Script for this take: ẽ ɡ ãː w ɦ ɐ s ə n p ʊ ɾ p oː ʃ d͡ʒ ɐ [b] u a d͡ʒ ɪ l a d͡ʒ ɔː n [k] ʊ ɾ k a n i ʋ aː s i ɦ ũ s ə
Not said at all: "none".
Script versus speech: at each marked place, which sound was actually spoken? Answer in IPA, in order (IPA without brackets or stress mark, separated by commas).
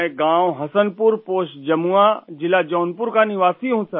m, p